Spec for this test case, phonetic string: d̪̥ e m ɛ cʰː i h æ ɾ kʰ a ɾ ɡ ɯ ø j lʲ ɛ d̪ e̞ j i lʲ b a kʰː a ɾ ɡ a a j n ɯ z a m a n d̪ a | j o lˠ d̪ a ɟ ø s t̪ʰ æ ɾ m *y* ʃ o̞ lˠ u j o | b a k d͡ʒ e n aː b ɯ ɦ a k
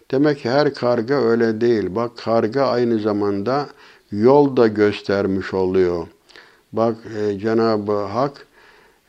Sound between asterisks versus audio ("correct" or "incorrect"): incorrect